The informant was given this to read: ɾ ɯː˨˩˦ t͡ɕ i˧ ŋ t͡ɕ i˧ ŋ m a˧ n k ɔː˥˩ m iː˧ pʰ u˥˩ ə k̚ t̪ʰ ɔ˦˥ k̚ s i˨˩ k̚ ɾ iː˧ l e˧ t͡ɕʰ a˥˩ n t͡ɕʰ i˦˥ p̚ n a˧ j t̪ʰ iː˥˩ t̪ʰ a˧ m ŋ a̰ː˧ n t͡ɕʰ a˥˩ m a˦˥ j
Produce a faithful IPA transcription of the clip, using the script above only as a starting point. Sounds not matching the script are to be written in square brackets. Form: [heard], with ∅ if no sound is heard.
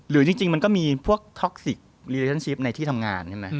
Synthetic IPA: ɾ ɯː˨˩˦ t͡ɕ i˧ ŋ t͡ɕ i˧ ŋ m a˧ n k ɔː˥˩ m iː˧ pʰ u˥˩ ə k̚ t̪ʰ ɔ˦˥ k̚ s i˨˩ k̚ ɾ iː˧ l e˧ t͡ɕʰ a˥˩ n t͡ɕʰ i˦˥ p̚ n a˧ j t̪ʰ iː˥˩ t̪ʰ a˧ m ŋ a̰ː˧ n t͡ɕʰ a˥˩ m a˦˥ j